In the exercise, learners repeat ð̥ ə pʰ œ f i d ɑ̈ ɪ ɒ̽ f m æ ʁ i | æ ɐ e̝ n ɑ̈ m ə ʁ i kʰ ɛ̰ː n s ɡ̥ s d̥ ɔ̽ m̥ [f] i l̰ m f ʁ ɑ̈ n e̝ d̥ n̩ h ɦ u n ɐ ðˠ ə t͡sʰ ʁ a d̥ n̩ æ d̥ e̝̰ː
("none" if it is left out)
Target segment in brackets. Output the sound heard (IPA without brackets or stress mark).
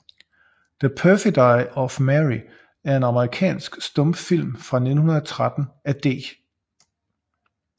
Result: f